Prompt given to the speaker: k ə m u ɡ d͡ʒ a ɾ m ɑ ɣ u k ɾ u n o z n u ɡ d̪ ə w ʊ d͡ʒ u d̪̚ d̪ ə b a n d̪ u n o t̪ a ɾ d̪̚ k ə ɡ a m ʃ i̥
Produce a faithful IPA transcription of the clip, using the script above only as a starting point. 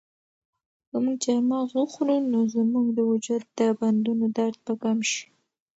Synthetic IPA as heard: k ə m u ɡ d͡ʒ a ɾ m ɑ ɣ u x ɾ u n o z m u ɡ d̪ ə w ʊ d͡ʒ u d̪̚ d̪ ə b a n d̪ u n o d̪ a ɾ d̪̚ p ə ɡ a m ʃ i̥